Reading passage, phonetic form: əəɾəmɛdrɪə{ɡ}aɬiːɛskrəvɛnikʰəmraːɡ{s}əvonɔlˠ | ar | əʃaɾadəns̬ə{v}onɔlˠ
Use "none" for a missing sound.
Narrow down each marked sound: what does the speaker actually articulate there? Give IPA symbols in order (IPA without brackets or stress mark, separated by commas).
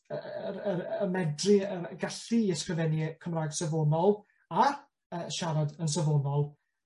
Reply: ɡ, s, v